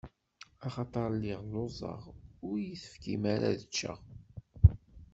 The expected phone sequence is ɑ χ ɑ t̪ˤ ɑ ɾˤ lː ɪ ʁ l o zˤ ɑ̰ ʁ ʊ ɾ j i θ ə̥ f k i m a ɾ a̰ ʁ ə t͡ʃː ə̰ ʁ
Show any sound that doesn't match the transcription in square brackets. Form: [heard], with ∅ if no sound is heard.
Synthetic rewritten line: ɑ χ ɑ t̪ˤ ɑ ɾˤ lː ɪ ʁ l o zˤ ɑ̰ ʁ ʊ ɾ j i θ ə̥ f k i m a ɾ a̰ [ð] ə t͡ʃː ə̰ ʁ